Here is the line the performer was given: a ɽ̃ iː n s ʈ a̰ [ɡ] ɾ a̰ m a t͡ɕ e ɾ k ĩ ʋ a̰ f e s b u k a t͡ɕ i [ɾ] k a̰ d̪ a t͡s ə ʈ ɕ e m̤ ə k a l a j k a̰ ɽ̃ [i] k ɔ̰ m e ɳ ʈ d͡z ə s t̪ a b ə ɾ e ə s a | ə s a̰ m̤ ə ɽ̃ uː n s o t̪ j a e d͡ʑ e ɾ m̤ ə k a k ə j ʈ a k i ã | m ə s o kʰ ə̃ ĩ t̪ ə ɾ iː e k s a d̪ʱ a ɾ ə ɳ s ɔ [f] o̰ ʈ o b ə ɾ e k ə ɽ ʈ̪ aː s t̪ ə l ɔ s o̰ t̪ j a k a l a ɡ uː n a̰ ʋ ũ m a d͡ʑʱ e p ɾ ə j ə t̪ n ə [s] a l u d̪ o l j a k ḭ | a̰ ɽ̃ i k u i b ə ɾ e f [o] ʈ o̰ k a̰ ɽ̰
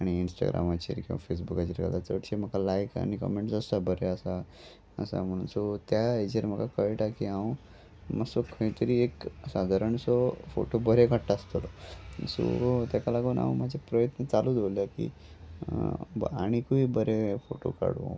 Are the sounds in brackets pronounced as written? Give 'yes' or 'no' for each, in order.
yes, yes, yes, yes, no, yes

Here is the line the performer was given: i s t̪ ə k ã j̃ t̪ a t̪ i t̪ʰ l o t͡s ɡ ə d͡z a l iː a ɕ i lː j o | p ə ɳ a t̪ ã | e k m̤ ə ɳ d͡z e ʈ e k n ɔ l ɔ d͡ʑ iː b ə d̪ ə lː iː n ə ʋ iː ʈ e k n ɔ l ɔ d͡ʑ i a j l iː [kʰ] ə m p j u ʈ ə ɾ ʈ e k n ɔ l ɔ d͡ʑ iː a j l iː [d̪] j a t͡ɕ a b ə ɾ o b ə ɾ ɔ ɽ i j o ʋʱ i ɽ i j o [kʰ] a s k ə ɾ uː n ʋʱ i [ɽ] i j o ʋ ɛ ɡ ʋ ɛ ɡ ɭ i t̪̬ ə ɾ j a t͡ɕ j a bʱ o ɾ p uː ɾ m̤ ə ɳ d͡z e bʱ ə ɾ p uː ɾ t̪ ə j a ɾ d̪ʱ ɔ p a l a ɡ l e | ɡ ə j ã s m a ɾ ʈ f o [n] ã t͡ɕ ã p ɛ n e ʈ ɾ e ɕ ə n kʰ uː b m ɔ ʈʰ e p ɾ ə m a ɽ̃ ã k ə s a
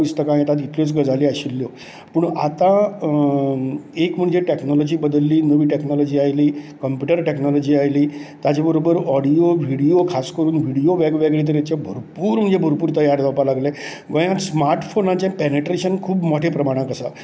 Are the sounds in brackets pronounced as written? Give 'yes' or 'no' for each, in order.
no, no, yes, yes, yes

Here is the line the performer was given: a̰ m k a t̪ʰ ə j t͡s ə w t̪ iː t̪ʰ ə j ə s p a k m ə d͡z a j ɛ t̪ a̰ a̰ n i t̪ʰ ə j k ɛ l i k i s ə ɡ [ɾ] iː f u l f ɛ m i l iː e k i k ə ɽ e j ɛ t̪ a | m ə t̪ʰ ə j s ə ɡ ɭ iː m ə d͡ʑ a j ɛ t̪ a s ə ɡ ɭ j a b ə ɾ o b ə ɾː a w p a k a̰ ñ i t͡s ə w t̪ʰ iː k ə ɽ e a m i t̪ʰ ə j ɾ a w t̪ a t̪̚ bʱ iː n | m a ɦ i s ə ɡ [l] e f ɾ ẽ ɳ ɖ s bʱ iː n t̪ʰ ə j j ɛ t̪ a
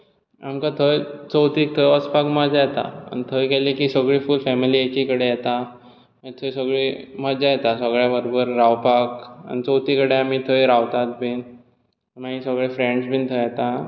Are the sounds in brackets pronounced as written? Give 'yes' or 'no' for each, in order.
no, no

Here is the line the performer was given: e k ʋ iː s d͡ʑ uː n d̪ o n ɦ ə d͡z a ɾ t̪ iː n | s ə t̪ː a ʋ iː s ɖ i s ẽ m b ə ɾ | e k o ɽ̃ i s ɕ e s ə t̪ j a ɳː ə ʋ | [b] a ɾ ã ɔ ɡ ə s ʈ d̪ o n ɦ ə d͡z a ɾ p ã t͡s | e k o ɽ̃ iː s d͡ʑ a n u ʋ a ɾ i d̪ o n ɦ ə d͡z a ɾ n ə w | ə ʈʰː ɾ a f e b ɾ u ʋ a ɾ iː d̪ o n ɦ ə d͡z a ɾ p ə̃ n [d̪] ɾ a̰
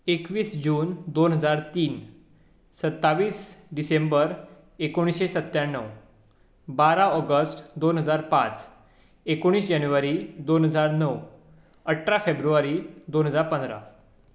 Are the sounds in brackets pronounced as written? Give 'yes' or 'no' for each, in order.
yes, yes

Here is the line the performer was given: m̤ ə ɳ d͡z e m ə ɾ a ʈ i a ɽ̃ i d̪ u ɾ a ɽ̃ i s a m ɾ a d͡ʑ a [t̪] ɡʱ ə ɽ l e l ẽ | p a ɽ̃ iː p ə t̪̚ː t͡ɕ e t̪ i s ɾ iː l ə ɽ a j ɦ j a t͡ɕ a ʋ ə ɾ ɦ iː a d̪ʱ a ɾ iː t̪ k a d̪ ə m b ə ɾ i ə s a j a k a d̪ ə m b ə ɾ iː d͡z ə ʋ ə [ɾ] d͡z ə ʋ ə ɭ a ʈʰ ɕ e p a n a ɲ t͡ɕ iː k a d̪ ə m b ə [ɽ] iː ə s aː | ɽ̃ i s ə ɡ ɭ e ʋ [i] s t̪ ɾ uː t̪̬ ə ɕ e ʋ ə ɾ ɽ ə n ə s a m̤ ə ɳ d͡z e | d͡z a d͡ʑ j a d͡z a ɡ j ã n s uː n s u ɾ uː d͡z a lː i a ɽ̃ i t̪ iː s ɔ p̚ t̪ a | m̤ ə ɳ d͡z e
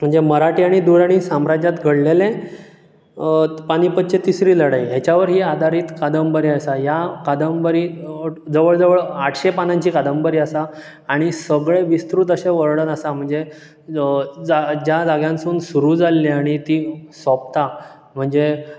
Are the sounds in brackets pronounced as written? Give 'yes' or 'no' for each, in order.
yes, no, no, yes

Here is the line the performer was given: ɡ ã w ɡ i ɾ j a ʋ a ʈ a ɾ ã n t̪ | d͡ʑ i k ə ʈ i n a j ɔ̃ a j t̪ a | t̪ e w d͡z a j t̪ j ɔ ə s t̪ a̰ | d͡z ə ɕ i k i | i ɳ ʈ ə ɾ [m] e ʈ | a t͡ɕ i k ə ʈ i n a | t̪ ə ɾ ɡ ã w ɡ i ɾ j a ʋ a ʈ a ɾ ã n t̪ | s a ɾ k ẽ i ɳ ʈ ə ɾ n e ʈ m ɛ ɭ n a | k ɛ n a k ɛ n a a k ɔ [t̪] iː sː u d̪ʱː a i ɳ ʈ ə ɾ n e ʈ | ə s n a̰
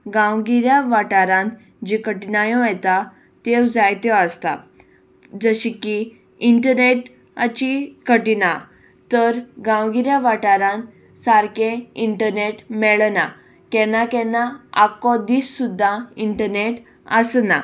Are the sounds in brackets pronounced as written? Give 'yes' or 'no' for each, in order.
no, no

